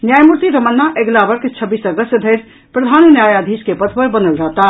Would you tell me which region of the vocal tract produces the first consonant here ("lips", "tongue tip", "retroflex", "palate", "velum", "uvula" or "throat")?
tongue tip